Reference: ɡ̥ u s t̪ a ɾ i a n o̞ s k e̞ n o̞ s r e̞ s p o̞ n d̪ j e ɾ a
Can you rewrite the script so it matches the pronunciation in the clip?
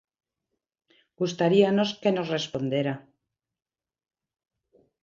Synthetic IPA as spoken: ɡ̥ u s t̪ a ɾ i a n o̞ s k e̞ n o̞ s r e̞ s p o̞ n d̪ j e ɾ a